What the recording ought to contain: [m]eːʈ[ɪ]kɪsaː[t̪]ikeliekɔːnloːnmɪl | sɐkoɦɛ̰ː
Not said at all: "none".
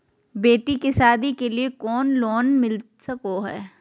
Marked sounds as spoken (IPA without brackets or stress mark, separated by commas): b, i, d̪